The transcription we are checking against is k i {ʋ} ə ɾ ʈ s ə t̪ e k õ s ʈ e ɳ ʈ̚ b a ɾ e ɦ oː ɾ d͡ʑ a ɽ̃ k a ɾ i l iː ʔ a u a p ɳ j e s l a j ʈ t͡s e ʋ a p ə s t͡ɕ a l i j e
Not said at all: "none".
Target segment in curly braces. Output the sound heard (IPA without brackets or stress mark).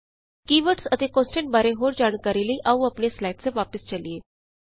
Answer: ʋ